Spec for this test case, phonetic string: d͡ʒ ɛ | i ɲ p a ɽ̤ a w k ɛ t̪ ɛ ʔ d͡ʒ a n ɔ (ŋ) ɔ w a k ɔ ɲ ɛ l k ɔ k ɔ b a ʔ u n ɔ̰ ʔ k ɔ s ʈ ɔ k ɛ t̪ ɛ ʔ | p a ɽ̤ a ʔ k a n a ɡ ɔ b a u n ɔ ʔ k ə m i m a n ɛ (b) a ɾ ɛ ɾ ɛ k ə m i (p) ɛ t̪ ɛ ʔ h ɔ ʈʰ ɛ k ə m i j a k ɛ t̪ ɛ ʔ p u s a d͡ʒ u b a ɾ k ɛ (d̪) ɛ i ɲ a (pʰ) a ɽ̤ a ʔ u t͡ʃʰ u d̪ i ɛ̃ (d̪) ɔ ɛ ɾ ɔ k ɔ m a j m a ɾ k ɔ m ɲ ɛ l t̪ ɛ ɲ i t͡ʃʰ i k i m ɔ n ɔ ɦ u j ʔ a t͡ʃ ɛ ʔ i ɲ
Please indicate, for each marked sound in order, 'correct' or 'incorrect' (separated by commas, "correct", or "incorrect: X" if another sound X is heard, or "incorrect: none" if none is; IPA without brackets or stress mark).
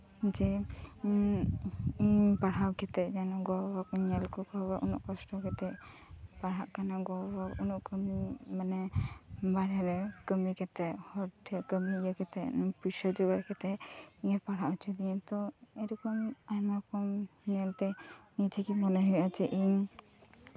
incorrect: ɡ, correct, incorrect: k, incorrect: t̪, incorrect: p, incorrect: t̪